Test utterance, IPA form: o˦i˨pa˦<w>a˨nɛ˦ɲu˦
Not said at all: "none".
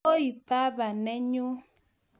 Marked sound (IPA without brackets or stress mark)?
b